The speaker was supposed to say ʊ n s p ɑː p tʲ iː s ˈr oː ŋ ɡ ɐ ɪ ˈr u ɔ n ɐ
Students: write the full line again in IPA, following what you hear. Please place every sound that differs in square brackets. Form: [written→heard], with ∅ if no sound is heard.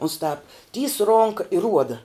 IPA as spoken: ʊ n s [p→t] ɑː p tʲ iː s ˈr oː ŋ [ɡ→k] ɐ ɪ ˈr u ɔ [n→d] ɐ